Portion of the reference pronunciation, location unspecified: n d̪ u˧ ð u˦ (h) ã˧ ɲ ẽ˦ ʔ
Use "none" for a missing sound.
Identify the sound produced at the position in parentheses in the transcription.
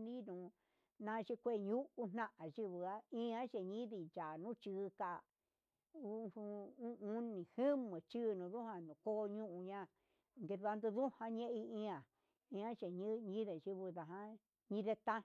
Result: h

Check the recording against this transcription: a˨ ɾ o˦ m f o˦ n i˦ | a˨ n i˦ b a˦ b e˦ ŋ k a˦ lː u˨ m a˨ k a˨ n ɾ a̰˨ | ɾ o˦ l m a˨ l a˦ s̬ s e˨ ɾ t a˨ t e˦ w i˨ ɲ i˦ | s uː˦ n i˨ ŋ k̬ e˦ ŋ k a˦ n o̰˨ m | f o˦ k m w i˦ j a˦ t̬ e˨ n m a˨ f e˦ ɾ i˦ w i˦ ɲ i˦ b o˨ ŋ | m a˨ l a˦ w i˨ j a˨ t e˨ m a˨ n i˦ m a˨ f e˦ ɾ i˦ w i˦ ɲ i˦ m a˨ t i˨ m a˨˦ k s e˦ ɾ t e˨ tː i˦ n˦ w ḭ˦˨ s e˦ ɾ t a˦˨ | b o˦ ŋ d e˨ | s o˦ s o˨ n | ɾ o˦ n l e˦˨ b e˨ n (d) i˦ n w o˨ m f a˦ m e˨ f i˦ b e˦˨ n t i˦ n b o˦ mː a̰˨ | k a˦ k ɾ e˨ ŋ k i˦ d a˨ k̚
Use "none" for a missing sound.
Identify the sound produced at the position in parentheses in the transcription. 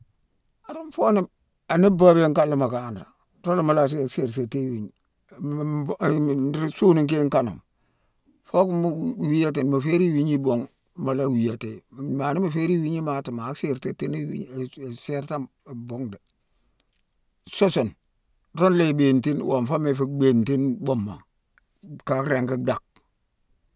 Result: t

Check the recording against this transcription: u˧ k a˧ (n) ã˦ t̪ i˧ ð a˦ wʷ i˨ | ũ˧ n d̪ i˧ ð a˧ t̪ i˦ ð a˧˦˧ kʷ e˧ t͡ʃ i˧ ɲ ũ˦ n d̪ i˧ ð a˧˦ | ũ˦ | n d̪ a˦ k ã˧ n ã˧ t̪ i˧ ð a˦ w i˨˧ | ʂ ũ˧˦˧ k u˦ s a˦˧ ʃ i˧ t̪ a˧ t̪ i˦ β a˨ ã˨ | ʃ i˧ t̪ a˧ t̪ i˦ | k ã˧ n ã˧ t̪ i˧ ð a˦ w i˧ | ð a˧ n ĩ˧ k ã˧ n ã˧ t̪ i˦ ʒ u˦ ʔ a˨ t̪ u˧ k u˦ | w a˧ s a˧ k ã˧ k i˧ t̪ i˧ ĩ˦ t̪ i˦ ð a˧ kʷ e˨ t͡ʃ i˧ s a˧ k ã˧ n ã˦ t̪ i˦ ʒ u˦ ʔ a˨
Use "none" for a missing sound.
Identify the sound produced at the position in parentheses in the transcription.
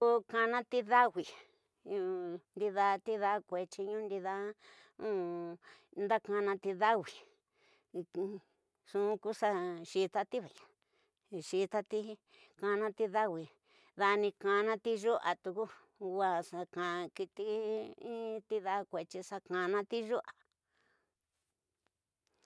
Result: n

